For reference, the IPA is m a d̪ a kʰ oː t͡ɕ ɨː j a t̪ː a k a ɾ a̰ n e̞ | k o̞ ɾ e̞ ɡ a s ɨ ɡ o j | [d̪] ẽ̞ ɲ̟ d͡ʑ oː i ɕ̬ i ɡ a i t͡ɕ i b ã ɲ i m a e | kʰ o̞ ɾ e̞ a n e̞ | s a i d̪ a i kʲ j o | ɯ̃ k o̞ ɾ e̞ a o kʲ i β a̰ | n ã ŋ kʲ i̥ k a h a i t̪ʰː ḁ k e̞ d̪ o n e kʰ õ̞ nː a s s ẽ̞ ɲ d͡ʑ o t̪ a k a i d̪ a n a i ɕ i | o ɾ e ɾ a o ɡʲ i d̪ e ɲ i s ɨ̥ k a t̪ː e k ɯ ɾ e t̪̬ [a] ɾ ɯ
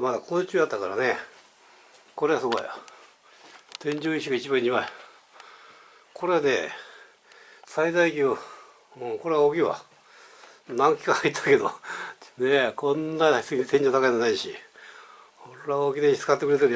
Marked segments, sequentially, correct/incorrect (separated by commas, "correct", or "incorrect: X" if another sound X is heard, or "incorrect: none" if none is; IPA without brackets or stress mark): incorrect: t̪, incorrect: e